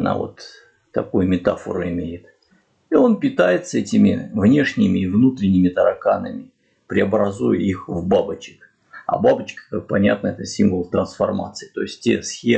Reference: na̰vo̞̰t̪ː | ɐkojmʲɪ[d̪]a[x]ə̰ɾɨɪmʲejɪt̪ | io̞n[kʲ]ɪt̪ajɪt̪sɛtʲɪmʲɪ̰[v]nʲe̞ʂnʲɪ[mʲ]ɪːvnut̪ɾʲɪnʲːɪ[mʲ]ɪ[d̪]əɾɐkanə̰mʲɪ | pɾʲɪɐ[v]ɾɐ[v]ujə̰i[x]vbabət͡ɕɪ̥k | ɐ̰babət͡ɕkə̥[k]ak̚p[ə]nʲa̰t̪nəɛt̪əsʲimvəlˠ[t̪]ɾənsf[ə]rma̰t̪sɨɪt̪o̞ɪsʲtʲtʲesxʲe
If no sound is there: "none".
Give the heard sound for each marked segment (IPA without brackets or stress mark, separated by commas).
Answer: t̪, f, pʲ, v, mʲ, mʲ, t̪, b, z, x, k, ɐ, t̪, ɐ